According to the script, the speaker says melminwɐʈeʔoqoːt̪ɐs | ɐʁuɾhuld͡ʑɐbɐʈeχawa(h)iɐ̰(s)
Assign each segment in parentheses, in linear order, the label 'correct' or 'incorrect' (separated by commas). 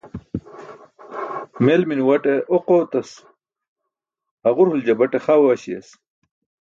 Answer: incorrect, correct